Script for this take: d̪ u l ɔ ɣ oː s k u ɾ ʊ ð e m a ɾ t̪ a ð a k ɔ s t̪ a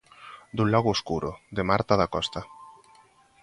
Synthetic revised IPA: d̪ u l ɔ ɣ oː s k u ɾ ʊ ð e m a ɾ t̪ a ð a k ɔ s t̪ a